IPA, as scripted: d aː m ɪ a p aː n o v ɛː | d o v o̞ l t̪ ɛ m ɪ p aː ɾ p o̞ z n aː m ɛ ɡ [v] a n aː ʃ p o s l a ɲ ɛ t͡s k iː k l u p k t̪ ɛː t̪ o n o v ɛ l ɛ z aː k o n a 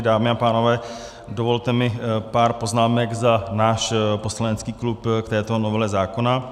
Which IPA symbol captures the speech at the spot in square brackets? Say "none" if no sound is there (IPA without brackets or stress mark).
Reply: z